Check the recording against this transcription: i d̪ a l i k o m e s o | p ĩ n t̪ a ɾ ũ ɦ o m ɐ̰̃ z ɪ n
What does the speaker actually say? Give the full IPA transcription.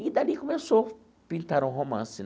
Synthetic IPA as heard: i d̪ a l i k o m e s o | p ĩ n t̪ a ɾ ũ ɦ o m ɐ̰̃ s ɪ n